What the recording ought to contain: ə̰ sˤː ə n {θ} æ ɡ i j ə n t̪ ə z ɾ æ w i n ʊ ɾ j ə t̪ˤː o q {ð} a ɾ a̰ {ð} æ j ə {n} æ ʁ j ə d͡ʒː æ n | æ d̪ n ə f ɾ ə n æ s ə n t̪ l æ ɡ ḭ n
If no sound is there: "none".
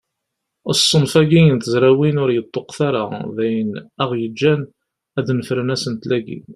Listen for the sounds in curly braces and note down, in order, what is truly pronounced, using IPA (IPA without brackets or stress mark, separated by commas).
f, θ, ð, n